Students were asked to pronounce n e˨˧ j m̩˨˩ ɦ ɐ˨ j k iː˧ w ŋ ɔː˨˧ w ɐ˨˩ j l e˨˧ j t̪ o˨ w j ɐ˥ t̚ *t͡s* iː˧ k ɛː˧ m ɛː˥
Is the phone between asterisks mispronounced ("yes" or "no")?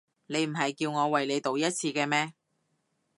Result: yes